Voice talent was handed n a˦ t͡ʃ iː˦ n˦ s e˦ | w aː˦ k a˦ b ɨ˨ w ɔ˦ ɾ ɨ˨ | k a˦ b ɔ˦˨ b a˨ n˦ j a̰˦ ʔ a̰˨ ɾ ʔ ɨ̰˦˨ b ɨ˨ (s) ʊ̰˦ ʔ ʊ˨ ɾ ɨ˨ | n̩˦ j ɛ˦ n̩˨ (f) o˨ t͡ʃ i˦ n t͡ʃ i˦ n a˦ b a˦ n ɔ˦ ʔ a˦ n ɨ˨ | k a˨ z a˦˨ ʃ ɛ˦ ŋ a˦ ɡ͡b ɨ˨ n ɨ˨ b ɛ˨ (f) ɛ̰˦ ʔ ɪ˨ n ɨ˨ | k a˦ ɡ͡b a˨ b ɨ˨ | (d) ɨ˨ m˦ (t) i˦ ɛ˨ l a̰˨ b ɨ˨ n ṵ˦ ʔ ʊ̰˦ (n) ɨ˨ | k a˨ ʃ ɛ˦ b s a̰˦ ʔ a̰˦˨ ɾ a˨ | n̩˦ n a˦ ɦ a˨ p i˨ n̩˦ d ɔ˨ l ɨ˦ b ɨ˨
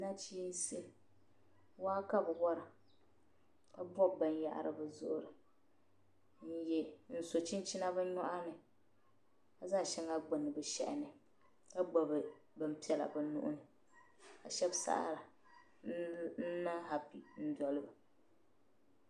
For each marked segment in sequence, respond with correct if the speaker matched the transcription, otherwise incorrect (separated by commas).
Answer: incorrect, incorrect, incorrect, incorrect, incorrect, correct